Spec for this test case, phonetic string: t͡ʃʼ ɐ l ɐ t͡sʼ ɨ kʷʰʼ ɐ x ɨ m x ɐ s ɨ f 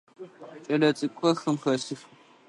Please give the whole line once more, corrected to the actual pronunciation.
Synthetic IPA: t͡ʃʼ ɐ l ɐ t͡sʼ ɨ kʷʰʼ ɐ x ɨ m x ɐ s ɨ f